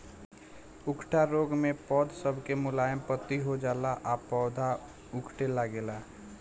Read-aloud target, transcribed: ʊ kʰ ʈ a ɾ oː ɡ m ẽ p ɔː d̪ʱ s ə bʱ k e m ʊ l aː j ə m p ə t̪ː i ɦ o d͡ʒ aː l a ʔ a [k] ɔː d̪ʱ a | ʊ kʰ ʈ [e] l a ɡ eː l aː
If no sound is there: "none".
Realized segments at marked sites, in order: p, e

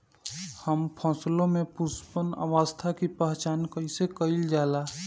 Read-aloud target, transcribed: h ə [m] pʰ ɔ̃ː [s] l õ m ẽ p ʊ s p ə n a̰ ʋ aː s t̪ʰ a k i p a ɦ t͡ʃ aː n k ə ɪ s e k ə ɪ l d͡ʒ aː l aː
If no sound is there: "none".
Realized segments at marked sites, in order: m, s

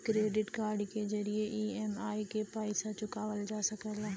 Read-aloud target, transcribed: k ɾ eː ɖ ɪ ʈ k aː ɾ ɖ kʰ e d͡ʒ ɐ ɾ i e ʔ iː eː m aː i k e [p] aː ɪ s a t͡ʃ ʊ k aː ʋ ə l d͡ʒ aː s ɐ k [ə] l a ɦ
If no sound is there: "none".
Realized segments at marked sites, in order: p, ə

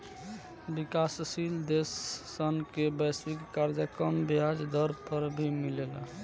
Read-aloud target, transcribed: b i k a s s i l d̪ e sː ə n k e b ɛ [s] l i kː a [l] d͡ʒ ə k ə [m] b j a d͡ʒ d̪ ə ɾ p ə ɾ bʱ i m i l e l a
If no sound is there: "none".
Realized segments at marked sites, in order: s, ɾ, m

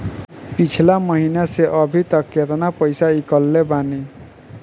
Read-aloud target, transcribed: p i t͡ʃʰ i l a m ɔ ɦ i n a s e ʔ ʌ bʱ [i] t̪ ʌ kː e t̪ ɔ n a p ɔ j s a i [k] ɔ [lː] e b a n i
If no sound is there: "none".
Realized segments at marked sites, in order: i, k, lː

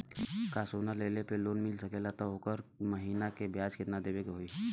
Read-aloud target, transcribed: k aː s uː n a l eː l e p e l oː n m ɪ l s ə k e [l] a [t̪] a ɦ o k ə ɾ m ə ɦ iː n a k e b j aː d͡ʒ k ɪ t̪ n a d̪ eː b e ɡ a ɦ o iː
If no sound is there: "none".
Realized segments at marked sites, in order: l, t̪

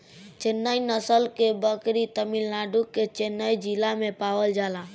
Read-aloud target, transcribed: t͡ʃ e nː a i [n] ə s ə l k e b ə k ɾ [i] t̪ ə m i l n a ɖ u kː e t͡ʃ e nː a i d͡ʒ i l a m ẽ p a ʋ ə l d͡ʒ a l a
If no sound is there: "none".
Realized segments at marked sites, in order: n, i

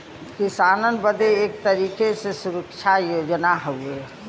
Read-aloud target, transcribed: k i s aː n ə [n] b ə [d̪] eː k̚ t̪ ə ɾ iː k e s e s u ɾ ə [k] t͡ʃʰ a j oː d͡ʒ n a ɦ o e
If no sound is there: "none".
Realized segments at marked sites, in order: n, d̪, k

